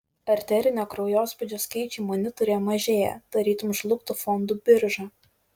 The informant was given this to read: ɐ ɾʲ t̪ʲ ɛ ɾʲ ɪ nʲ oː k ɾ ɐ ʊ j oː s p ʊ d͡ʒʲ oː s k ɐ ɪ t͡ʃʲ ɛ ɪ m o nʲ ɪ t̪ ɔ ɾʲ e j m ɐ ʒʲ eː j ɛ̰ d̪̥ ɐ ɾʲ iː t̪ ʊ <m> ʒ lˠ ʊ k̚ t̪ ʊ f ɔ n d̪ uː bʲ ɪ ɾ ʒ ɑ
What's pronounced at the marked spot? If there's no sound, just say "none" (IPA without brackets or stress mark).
m